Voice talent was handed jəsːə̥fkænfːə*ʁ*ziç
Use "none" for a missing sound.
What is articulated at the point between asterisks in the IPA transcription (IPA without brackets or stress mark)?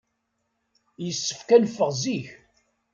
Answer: ʁ